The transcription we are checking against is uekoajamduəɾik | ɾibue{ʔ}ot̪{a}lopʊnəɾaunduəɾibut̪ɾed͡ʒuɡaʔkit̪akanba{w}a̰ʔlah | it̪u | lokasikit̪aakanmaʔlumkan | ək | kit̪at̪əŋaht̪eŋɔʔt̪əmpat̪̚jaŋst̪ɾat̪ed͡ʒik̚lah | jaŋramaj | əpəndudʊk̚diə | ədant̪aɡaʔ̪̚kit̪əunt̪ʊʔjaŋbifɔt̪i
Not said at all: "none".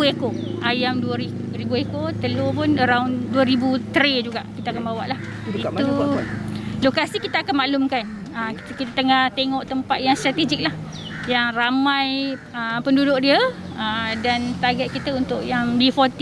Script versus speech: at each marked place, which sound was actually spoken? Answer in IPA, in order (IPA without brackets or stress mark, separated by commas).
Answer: k, ə, w